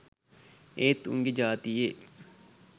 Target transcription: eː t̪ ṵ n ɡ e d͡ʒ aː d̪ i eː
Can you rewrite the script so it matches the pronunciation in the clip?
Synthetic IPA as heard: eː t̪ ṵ ŋ ɡ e d͡ʒ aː t̪ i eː